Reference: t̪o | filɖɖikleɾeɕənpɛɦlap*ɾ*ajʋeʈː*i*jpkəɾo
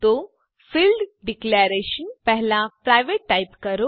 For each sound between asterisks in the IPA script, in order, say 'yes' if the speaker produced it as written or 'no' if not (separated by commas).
yes, no